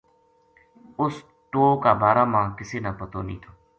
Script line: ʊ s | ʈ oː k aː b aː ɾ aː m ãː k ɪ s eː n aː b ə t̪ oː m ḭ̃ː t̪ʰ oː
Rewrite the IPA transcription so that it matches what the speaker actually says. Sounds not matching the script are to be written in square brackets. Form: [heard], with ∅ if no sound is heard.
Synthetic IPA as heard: ʊ s | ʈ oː k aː b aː ɾ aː m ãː k ɪ s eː n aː [p] ə t̪ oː [n] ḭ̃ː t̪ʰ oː